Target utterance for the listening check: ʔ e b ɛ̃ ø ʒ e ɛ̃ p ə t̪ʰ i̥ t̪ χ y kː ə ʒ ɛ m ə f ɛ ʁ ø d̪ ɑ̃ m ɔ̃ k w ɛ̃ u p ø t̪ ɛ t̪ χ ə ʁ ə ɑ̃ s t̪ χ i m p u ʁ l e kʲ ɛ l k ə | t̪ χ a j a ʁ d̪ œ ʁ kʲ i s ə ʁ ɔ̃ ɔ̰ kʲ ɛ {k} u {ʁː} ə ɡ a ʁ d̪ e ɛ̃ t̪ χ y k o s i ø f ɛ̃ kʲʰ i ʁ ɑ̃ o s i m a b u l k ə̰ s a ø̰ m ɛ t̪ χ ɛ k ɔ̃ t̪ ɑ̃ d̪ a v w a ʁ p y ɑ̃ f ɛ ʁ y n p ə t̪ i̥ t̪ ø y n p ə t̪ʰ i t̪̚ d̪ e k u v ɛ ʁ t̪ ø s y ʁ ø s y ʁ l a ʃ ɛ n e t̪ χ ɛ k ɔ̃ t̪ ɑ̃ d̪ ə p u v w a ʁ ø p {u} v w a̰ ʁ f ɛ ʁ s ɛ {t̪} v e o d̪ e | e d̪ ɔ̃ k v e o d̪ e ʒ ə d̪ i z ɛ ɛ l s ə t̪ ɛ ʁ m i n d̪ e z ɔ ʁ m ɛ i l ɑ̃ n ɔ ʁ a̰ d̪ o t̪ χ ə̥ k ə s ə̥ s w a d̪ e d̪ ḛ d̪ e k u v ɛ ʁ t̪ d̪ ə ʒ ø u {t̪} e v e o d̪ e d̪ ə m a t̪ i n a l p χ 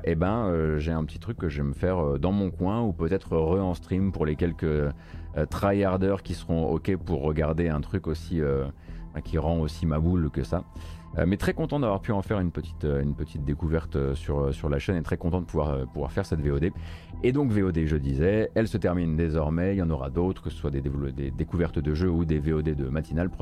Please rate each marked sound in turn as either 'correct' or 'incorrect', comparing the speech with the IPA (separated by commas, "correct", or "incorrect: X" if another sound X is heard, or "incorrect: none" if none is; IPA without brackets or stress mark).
incorrect: p, correct, correct, correct, incorrect: d̪